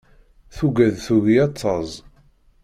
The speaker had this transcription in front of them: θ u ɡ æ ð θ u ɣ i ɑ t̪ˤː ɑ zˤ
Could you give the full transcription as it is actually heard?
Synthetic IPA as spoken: θ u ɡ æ ð θ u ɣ i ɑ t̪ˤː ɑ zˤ